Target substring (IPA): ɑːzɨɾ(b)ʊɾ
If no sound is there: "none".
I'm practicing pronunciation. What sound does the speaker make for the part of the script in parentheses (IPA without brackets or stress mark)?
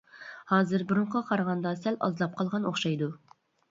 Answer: b